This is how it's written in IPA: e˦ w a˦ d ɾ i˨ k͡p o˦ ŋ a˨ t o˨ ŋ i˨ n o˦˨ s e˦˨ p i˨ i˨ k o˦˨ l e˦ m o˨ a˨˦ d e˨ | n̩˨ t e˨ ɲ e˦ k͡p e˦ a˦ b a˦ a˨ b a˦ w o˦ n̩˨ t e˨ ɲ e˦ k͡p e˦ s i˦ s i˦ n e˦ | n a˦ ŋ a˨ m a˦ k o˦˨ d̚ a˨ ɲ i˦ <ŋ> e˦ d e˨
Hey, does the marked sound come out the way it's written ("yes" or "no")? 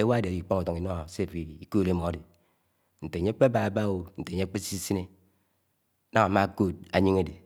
yes